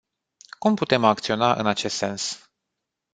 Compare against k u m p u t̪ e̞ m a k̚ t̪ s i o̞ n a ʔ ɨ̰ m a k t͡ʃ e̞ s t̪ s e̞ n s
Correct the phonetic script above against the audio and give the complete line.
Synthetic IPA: k u m p u t̪ e̞ m a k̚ t̪ s i o̞ n a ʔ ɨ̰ n a t͡ʃ e̞ s t̪ s e̞ n s